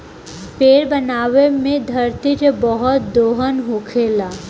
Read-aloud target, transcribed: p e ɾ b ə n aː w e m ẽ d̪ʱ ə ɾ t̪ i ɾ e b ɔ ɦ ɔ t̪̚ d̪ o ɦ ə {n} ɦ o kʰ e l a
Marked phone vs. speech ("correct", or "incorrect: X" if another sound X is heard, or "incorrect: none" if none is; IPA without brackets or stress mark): correct